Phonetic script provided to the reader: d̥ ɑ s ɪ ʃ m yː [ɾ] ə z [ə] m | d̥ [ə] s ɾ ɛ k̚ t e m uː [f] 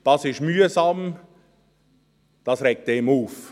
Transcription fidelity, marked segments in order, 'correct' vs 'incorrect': incorrect: none, incorrect: ɑ, incorrect: ɑ, correct

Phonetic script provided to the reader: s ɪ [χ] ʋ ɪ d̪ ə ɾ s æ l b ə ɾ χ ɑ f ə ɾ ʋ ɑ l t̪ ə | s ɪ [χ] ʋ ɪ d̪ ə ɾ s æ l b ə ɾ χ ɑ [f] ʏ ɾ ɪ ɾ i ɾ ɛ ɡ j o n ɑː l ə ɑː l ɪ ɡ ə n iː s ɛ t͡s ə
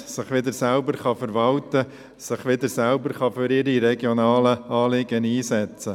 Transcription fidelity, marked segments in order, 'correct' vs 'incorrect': correct, correct, correct

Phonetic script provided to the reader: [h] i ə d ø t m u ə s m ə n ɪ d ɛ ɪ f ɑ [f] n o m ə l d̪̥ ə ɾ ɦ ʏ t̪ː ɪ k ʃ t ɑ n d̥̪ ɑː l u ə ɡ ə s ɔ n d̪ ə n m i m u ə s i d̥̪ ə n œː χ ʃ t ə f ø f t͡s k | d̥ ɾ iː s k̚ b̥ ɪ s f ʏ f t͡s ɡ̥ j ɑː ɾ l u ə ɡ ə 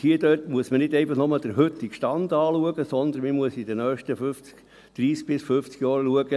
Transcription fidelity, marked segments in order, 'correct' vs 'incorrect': correct, incorrect: χ

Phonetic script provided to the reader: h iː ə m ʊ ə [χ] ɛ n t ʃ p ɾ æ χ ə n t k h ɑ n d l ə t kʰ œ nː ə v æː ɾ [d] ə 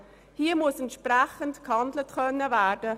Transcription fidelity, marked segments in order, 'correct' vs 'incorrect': incorrect: s, correct

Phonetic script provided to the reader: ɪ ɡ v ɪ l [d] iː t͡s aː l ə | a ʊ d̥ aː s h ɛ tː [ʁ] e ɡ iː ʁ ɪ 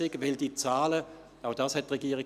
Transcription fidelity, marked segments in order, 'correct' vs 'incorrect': correct, correct

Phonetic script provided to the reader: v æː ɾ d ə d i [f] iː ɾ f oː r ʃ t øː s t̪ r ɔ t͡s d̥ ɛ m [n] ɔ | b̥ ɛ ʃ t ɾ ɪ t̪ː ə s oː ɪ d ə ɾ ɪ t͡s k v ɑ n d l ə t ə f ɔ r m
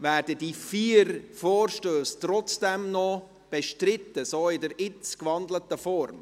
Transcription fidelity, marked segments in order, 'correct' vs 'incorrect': correct, correct

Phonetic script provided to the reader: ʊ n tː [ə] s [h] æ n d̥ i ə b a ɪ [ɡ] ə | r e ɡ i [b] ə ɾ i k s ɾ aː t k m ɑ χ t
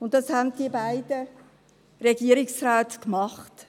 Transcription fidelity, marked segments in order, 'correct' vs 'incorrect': incorrect: ɑ, correct, incorrect: d, incorrect: none

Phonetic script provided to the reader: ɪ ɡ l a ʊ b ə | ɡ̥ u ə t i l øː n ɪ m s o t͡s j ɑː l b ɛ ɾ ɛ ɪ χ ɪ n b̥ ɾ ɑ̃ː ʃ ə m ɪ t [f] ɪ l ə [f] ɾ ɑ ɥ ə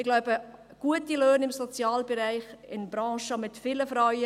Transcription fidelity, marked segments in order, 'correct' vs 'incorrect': correct, correct

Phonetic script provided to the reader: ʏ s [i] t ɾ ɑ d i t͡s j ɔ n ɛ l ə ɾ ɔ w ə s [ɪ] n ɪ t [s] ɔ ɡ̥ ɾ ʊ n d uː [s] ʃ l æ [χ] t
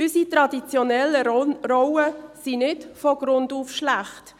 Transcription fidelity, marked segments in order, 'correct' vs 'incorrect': correct, incorrect: i, incorrect: f, incorrect: f, correct

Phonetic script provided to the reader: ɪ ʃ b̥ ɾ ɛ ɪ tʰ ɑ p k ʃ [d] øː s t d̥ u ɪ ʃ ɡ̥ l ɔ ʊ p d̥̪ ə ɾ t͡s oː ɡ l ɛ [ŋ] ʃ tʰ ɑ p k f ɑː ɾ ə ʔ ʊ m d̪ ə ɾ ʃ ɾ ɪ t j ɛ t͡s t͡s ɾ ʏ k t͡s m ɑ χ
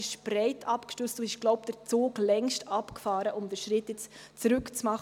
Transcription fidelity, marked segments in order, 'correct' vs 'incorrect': incorrect: t, correct

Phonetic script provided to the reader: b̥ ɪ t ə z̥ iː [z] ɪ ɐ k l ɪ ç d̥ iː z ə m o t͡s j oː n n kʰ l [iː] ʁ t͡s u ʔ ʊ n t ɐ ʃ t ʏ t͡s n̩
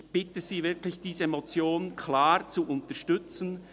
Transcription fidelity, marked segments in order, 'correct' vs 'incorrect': incorrect: v, incorrect: aː

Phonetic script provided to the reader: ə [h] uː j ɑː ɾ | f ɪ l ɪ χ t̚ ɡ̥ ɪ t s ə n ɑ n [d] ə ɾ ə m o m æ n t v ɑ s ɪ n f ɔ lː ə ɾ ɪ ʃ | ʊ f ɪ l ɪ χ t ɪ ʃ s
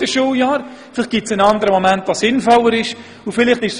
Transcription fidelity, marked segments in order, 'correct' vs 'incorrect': incorrect: ʃ, correct

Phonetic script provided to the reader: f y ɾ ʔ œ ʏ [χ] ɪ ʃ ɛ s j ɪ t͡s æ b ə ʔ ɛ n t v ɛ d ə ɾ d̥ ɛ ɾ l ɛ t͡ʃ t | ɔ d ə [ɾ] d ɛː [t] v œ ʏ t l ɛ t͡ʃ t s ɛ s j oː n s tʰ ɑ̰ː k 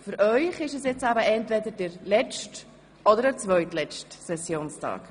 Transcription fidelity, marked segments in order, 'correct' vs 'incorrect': correct, correct, incorrect: t͡s

